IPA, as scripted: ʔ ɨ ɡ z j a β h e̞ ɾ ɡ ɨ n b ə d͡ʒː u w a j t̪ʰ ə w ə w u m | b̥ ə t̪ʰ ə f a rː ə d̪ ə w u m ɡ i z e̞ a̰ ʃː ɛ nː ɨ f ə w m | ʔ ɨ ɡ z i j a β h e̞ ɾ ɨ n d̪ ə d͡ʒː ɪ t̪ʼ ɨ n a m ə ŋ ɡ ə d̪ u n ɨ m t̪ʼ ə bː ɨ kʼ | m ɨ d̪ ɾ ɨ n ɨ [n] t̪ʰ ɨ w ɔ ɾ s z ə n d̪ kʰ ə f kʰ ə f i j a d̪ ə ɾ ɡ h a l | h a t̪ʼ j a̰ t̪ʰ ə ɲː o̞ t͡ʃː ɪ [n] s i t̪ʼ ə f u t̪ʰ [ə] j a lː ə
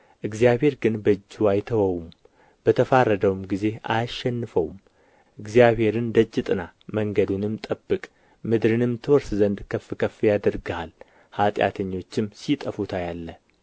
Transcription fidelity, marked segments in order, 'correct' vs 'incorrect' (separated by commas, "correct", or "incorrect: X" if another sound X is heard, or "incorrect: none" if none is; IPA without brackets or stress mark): incorrect: m, incorrect: m, incorrect: a